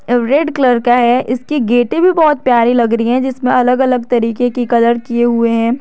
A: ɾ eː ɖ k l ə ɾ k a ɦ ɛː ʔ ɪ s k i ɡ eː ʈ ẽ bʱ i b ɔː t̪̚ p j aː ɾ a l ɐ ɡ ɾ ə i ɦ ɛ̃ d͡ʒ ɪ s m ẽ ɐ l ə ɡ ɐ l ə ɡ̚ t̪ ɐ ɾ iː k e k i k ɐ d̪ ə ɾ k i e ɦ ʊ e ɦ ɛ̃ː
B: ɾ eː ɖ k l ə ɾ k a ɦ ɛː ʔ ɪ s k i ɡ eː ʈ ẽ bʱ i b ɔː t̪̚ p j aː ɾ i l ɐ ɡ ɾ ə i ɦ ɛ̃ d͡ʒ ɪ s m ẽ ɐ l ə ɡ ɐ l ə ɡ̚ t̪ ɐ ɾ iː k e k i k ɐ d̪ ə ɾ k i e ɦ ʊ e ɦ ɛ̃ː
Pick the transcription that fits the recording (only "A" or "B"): B